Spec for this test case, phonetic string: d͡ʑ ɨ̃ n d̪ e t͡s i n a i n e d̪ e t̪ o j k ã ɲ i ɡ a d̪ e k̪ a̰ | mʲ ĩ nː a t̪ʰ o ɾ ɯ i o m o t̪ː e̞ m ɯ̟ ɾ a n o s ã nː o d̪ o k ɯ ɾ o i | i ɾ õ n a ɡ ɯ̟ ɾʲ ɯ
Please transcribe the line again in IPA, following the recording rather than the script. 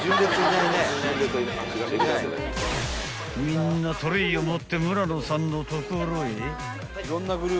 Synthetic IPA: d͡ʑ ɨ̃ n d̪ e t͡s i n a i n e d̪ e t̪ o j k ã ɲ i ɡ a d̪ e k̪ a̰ | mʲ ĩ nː a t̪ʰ o ɾ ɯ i o m o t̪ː e̞ m ɯ̟ ɾ a n o s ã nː o t̪ o k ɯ ɾ o i | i ɾ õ nː a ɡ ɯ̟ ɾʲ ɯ